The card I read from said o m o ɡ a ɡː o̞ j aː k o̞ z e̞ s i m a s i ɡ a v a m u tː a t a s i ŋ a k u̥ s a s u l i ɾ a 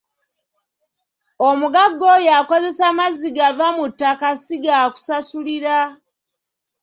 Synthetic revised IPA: o m u ɡ a ɡː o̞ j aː k o̞ z e̞ s a m a z i ɡ a v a m u tː a k a s i ɡ a k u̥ s a s u l i ɾ a